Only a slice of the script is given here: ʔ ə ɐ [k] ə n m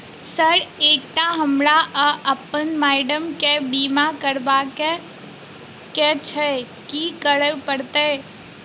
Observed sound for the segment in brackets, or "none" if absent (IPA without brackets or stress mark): p